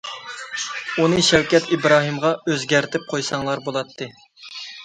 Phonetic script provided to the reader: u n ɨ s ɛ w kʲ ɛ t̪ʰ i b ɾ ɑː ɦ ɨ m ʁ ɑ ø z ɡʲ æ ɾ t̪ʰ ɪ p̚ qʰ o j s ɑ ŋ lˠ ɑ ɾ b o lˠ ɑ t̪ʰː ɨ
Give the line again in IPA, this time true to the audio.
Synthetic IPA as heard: u n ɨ ʃ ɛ w kʲ ɛ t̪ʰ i b ɾ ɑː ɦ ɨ m ʁ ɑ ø z ɡʲ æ ɾ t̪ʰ ɪ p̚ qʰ o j s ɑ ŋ lˠ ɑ ɾ b o lˠ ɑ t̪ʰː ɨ